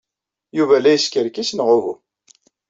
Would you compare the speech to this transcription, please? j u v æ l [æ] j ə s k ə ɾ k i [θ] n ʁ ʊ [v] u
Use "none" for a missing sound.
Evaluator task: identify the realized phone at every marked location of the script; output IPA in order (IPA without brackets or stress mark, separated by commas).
æ, s, v